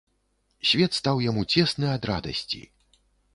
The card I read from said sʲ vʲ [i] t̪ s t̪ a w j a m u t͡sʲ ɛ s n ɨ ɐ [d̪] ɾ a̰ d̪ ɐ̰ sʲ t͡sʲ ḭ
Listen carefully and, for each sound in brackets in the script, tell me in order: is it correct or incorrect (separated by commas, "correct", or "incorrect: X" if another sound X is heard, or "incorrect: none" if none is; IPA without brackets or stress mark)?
incorrect: ɛ, correct